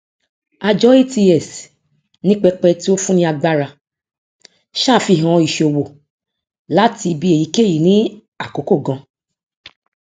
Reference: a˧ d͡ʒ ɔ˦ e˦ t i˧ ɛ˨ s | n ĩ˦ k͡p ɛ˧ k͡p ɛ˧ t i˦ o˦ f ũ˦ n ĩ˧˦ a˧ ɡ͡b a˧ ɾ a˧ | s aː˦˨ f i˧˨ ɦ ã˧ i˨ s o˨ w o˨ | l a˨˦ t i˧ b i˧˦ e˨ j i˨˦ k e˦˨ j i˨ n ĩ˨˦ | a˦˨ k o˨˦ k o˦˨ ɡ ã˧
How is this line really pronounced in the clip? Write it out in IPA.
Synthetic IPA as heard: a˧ d͡ʒ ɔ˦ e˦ t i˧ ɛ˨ s | n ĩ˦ k͡p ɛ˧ k͡p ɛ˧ t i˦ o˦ f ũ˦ n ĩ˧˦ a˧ ɡ͡b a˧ ɾ a˧ | ʃ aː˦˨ f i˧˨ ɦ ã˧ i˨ ʃ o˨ w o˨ | l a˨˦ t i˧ b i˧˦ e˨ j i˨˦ k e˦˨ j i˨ n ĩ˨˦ | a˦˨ k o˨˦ k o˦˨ ɡ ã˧